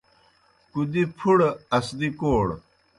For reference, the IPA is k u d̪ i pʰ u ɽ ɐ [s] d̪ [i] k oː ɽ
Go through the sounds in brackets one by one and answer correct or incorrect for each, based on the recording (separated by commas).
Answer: correct, correct